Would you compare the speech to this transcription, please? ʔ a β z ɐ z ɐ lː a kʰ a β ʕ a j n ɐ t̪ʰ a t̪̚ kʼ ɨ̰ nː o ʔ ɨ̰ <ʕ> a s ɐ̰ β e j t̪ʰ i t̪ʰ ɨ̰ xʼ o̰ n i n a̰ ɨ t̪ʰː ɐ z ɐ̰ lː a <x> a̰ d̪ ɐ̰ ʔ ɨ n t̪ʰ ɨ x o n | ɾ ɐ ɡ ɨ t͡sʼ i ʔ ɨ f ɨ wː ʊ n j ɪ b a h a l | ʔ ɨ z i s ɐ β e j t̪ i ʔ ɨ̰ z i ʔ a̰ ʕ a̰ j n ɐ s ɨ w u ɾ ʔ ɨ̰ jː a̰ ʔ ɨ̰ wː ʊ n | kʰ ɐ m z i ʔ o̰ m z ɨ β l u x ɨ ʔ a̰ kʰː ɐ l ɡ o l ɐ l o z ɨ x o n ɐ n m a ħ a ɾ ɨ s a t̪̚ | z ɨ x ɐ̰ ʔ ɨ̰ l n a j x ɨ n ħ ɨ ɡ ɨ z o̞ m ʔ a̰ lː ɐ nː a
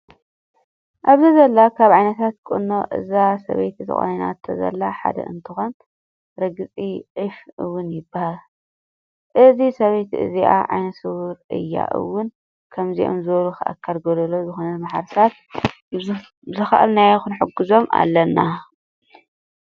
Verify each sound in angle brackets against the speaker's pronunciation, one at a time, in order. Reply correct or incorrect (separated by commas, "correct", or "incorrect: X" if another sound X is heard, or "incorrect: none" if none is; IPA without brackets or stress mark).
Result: incorrect: z, incorrect: ħ